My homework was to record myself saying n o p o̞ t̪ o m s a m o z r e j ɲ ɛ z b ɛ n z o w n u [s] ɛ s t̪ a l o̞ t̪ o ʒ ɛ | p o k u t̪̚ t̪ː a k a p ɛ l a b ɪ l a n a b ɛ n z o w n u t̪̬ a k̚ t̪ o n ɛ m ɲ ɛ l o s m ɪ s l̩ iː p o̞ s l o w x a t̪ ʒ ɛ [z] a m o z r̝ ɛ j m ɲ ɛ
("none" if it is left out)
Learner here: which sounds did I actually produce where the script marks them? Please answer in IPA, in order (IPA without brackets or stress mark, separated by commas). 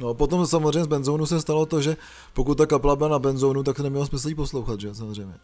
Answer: s, s